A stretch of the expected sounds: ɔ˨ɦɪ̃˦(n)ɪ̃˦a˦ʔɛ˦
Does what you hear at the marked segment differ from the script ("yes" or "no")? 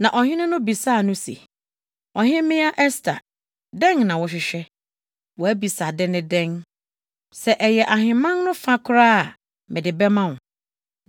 yes